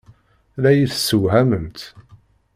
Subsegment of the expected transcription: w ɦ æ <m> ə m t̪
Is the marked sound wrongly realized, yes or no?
no